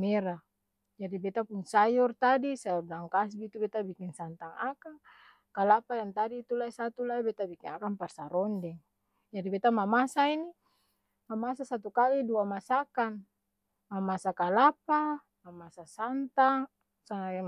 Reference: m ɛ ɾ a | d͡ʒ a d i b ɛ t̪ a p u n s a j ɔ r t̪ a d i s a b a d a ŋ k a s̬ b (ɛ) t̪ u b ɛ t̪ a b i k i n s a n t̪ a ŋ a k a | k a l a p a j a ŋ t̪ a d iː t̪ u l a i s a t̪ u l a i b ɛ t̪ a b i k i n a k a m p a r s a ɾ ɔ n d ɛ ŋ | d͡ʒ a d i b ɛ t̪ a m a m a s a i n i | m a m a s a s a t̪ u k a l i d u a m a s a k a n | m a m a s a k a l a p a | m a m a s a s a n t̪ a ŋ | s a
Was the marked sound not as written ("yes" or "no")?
yes